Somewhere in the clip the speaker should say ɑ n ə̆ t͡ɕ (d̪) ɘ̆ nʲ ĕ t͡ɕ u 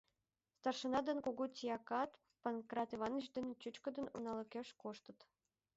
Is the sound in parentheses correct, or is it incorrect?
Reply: correct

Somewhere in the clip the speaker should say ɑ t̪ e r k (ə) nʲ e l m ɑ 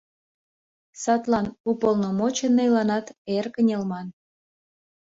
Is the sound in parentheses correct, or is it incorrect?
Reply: correct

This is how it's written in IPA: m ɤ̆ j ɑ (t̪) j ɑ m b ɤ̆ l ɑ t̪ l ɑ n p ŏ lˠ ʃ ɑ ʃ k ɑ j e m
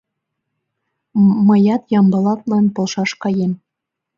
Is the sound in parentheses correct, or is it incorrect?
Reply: correct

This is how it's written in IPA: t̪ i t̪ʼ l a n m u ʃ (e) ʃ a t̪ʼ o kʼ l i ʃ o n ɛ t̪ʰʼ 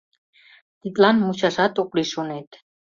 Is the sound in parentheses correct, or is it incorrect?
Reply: incorrect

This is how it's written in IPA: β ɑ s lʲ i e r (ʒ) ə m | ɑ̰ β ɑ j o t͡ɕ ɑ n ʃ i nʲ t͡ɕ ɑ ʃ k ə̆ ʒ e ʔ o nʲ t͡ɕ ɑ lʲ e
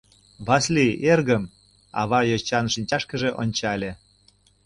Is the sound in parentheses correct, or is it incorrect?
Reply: incorrect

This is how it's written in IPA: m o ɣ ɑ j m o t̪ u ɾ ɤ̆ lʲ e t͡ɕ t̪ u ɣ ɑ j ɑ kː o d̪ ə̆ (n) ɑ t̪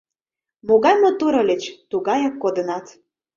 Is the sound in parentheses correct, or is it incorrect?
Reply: correct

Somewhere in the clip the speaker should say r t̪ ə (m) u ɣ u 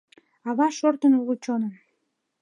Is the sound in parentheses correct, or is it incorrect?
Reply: incorrect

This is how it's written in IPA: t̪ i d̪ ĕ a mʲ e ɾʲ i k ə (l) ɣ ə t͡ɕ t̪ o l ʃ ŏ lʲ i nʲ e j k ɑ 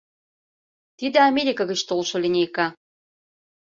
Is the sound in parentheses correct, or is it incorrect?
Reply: incorrect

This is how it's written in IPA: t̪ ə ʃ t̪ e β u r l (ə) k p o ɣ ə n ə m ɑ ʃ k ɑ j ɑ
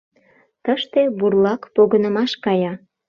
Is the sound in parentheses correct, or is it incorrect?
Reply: incorrect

